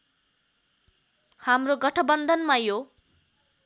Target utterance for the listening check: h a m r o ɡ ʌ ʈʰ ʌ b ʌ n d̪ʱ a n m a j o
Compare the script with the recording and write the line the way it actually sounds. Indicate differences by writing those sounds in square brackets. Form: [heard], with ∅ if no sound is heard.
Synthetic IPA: h a m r o ɡ ʌ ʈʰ ʌ b ʌ n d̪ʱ [ʌ] n m a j o